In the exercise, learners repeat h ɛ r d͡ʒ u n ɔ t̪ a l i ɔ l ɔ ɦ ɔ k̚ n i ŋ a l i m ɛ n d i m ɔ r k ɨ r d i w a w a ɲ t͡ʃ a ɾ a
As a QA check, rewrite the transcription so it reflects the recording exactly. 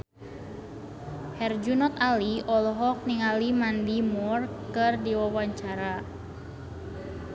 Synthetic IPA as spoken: h ɛ r d͡ʒ u n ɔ t̪ a l i ɔ l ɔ ɦ ɔ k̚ n i ŋ a l i m a n d i m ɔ r k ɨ r d i w a w a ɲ t͡ʃ a ɾ a